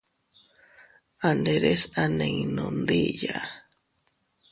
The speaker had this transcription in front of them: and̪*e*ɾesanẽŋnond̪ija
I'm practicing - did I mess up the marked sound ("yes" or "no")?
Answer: no